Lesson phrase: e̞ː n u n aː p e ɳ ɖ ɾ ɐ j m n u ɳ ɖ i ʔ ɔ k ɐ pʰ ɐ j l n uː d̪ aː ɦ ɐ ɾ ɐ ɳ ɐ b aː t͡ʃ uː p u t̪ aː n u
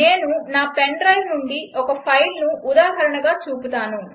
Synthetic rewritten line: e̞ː n u n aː p e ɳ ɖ ɾ ɐ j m n u ɳ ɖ i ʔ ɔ k ɐ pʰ ɐ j l n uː d̪ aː ɦ ɐ ɾ ɐ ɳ ɐ ɡ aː t͡ʃ uː p u t̪ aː n u